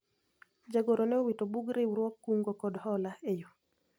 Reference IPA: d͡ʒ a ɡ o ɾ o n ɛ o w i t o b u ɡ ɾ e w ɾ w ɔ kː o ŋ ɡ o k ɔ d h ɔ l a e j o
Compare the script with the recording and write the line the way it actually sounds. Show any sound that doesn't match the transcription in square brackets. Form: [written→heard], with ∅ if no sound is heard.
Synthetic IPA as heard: d͡ʒ a ɡ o ɾ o n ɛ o w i t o b u ɡ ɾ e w ɾ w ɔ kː [o→u] ŋ ɡ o k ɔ d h ɔ l a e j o

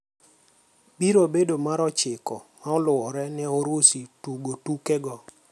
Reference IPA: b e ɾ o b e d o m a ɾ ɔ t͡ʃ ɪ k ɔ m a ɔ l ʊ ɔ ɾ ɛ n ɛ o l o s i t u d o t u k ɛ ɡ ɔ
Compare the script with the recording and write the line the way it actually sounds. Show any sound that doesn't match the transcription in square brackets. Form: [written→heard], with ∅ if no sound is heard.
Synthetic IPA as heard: b [e→i] ɾ o b e d o m a ɾ ɔ t͡ʃ ɪ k ɔ m a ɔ l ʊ ɔ ɾ ɛ n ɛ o [l→ɾ] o s i t u [d→ɡ] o t u k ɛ ɡ ɔ

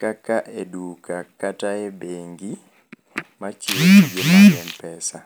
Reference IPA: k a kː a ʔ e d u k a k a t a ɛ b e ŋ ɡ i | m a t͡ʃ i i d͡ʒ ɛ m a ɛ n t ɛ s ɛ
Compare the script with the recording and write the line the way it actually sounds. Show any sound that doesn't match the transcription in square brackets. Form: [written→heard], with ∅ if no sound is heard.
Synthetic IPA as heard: k a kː a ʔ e d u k a k a t a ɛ b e ŋ ɡ i | m a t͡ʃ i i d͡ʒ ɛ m a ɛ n [t→p] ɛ s [ɛ→a]

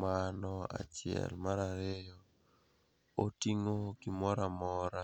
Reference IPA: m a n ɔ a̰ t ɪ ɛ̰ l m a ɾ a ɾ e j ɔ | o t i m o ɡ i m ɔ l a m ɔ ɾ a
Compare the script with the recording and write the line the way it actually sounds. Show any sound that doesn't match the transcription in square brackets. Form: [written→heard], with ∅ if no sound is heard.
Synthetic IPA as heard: m a n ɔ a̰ [t→t͡ʃ] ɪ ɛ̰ l m a ɾ a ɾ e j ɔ | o t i [m→ŋ] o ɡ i m ɔ [l→ɾ] a m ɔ ɾ a

